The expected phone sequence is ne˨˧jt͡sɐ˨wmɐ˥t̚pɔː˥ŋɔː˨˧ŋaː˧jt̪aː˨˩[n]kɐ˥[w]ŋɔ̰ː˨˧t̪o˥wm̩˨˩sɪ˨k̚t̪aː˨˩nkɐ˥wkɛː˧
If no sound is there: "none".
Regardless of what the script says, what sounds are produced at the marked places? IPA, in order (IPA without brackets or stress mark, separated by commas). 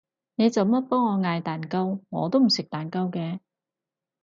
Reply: n, w